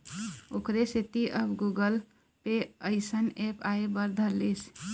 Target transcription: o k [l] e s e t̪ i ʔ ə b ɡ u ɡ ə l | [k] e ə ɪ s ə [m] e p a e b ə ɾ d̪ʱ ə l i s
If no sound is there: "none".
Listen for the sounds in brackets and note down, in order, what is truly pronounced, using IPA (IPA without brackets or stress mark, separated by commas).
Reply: ɾ, p, n